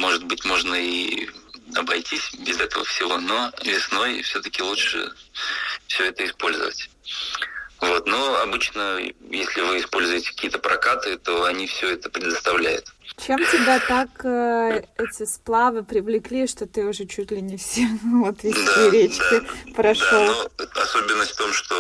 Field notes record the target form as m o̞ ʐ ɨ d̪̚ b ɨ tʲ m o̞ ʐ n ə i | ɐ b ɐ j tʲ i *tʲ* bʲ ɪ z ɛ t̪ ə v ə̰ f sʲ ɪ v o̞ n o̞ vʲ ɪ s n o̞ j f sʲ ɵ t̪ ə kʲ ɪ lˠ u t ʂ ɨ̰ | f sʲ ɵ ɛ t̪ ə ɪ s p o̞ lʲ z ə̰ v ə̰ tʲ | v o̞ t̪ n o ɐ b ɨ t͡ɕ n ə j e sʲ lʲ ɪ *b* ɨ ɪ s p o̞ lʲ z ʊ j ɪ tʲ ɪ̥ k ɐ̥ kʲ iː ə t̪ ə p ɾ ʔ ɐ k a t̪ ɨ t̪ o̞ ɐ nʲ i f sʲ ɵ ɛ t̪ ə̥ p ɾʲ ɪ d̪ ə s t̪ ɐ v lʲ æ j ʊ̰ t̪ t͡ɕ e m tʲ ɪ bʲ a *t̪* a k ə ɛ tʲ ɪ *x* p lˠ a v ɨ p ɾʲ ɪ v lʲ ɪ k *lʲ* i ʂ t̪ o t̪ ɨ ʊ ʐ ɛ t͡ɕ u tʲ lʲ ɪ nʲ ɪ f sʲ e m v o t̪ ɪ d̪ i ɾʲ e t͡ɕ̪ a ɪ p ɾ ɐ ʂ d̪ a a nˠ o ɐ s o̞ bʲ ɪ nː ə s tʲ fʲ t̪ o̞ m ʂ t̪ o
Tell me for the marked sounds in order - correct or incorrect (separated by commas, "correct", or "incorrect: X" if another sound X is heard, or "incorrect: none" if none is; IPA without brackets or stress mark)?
incorrect: sʲ, incorrect: v, correct, incorrect: s, correct